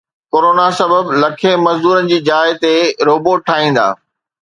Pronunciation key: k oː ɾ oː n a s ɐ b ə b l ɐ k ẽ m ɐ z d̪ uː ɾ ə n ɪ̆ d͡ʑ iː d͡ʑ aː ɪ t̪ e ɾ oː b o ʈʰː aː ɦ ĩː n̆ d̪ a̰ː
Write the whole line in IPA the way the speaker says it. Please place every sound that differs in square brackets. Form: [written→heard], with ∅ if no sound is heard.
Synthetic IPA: k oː ɾ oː n a s ɐ b ə b l ɐ [k→kʰ] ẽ m ɐ z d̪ uː ɾ ə n ɪ̆ d͡ʑ iː d͡ʑ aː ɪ t̪ e ɾ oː b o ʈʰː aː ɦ ĩː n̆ d̪ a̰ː